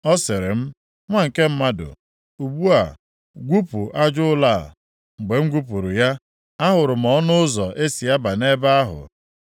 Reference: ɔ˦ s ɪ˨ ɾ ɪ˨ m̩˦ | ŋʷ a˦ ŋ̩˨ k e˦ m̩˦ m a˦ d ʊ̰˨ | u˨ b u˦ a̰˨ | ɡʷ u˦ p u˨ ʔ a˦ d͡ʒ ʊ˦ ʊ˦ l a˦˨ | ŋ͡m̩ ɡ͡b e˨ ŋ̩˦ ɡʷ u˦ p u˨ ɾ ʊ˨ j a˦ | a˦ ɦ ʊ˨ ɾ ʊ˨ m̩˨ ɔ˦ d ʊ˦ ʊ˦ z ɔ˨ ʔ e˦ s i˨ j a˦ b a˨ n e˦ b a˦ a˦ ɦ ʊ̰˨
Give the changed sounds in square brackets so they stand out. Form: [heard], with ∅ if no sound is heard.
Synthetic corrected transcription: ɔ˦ s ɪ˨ ɾ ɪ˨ m̩˦ | ŋʷ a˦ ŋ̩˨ k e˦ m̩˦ m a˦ d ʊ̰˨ | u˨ b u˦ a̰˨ | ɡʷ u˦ p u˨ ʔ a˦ d͡ʒ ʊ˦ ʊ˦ l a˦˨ | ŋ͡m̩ ɡ͡b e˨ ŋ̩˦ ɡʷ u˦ p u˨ ɾ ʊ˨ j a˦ | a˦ ɦ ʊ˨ ɾ ʊ˨ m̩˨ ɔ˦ [n] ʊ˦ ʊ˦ z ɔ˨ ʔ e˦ s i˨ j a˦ b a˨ n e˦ b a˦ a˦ ɦ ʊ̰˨